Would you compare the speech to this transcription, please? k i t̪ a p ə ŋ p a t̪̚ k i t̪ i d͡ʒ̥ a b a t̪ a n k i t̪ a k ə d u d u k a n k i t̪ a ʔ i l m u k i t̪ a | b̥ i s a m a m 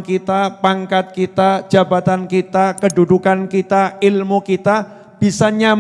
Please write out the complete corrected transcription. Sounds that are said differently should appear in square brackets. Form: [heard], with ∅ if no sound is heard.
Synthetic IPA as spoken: k i t̪ a p [a] ŋ [k] a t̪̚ k i t̪ [a] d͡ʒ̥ a b a t̪ a n k i t̪ a k ə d u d u k a n k i t̪ a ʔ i l m u k i t̪ a | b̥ i s a [ɲ] a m